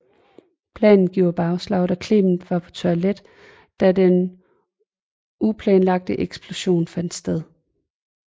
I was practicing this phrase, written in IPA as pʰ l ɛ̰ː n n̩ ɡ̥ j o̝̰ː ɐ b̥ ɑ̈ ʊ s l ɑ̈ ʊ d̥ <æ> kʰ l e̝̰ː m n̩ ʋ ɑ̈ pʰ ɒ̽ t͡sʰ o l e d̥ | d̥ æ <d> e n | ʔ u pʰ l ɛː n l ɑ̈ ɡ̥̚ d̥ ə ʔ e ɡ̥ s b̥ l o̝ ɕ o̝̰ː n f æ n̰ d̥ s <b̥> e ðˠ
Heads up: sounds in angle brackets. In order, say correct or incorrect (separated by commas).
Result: correct, correct, incorrect